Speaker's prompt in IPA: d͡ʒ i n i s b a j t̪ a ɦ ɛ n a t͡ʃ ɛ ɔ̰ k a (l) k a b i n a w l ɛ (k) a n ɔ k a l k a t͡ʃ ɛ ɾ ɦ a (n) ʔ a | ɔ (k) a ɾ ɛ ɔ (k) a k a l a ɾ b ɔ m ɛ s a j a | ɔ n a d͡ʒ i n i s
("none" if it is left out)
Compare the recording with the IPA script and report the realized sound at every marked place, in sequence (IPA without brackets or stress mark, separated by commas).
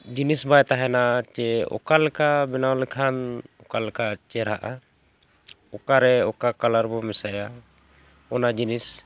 l, kʰ, none, k, k